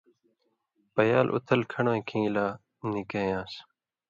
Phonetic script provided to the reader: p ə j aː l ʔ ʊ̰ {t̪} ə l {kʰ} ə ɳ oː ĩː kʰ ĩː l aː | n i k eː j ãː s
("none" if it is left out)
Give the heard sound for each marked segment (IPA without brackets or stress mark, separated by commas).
t̪ʰ, kʰ